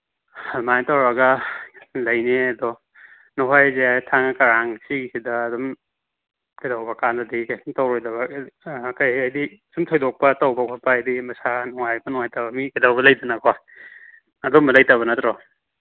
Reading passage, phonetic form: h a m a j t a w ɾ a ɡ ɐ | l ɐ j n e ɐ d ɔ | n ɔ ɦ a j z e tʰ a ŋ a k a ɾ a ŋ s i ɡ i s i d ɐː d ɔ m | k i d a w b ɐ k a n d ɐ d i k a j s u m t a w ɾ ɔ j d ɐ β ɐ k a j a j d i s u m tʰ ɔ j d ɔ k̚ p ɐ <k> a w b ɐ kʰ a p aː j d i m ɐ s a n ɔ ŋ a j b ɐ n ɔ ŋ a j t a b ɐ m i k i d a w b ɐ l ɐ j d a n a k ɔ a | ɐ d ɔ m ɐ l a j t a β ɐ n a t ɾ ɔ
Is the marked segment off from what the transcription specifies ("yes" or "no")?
yes